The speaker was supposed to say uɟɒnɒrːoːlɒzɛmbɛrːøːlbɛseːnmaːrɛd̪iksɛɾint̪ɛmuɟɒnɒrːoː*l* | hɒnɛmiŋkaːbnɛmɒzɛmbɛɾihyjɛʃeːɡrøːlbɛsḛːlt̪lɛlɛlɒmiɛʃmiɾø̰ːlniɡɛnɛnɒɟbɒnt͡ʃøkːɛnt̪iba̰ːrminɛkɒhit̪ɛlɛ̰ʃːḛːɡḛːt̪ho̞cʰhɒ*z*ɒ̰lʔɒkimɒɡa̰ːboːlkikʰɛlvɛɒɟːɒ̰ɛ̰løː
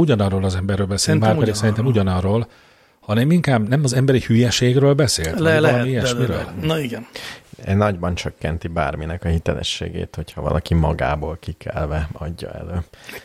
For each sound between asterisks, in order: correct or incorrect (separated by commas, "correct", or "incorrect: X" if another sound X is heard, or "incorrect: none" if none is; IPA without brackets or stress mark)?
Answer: correct, incorrect: v